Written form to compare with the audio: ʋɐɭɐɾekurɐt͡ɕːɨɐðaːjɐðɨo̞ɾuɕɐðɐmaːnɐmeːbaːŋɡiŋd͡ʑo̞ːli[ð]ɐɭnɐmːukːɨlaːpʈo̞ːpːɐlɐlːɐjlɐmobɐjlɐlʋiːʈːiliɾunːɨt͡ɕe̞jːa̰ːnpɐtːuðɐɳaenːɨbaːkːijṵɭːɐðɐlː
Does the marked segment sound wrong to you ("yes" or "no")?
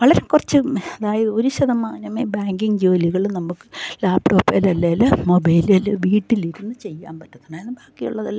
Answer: yes